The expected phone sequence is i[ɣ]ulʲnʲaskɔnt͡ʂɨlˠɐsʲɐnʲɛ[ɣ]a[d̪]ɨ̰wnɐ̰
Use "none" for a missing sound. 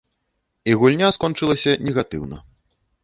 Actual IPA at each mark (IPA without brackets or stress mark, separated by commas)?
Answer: ɣ, ɣ, t̪